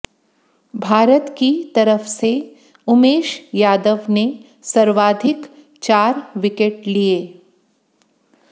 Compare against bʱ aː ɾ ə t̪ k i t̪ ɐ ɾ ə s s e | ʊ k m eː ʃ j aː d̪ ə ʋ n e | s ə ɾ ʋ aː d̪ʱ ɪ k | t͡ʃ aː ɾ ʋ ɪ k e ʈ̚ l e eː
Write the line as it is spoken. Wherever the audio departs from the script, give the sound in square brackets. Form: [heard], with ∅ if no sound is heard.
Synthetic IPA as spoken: bʱ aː ɾ ə t̪ k i t̪ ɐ ɾ ə [f] s e | ʊ [∅] m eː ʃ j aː d̪ ə ʋ n e | s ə ɾ ʋ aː d̪ʱ ɪ k | t͡ʃ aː ɾ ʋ ɪ k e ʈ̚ l [i] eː

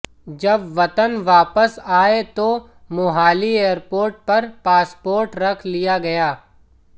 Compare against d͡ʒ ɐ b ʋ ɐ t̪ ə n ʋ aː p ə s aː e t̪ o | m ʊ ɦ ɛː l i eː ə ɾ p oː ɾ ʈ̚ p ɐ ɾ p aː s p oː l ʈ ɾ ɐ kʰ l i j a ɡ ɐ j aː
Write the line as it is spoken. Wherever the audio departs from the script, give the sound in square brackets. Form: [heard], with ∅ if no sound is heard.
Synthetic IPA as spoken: d͡ʒ ɐ b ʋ ɐ t̪ ə n ʋ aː p ə s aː e t̪ o | m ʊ ɦ [aː] l i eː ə ɾ p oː ɾ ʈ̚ p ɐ ɾ p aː s p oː [ɾ] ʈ ɾ ɐ kʰ l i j a ɡ ɐ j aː

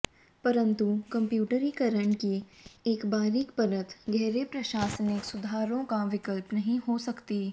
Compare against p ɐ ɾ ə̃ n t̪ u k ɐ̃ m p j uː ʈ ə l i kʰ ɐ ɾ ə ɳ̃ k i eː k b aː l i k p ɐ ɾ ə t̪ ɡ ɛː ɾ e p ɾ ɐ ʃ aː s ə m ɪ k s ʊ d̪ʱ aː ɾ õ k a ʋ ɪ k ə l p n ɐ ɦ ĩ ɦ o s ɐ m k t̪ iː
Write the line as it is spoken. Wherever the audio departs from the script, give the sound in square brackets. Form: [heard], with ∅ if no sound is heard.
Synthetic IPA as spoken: p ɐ ɾ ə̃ n t̪ u k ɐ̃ m p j uː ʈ ə [ɾ] i [k] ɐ ɾ ə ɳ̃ k i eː k b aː [ɾ] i k p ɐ ɾ ə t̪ ɡ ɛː ɾ e p ɾ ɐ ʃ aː s ə [n] ɪ k s ʊ d̪ʱ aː ɾ õ k a ʋ ɪ k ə l p n ɐ ɦ ĩ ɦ o s ɐ [∅] k t̪ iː

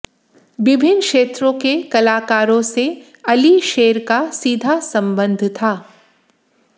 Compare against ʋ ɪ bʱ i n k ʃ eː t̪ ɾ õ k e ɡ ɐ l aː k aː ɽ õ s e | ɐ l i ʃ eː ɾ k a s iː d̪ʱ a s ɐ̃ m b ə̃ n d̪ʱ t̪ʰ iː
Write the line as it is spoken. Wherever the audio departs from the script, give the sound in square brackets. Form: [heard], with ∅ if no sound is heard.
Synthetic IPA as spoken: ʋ ɪ bʱ [ɪ] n k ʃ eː t̪ ɾ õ k e [k] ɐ l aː k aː [ɾ] õ s e | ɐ l i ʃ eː ɾ k a s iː d̪ʱ a s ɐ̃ m b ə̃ n d̪ʱ t̪ʰ [aː]

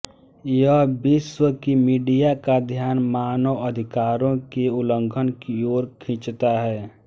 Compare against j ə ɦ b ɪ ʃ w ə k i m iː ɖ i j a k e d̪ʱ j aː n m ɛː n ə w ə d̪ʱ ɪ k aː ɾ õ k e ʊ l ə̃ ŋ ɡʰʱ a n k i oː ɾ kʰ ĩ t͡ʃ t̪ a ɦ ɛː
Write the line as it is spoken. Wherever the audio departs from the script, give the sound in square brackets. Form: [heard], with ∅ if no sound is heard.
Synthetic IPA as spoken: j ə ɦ b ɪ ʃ w ə k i m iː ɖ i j a k [a] d̪ʱ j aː n m [aː] n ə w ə d̪ʱ ɪ k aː ɾ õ k e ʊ l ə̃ ŋ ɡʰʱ [ə] n k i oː ɾ kʰ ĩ t͡ʃ t̪ a ɦ ɛː

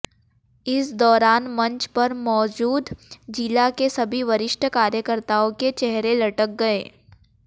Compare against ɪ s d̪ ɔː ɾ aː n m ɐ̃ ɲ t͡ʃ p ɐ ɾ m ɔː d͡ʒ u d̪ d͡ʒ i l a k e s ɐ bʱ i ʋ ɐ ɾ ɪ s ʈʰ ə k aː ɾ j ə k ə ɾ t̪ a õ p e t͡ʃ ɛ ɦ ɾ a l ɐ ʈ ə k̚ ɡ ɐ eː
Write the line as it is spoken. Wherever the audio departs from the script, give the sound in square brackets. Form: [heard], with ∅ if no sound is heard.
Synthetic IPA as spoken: ɪ s d̪ ɔː ɾ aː n m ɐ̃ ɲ t͡ʃ p ɐ ɾ m ɔː d͡ʒ [uː] d̪ d͡ʒ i l a k e s ɐ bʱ i ʋ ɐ ɾ ɪ [ʃ] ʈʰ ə k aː ɾ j ə k ə ɾ t̪ a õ [k] e t͡ʃ ɛ ɦ ɾ [e] l ɐ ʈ ə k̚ ɡ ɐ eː

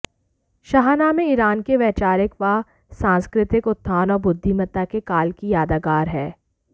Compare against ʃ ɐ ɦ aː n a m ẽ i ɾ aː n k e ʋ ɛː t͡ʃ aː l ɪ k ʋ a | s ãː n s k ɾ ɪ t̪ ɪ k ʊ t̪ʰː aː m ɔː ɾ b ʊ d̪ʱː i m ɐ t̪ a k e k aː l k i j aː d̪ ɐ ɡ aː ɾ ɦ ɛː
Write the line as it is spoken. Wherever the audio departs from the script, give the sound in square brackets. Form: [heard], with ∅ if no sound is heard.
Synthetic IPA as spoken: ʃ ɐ ɦ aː n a m ẽ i ɾ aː n k e ʋ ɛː t͡ʃ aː [ɾ] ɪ k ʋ a | s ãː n s k ɾ ɪ t̪ ɪ k ʊ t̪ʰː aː [n] ɔː ɾ b ʊ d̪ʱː i m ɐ t̪ a k e k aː l k i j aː d̪ [a] ɡ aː ɾ ɦ ɛː

